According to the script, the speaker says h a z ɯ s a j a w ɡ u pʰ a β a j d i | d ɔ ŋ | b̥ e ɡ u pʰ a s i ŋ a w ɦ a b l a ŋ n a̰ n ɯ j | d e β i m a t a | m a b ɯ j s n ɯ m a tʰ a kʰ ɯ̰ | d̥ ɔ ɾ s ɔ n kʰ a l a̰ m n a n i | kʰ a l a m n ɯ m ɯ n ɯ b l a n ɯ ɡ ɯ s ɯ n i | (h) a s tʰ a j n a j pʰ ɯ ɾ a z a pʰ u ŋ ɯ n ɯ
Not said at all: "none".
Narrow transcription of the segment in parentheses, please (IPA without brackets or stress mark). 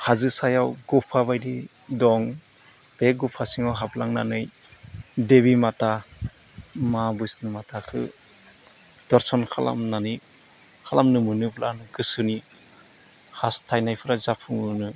h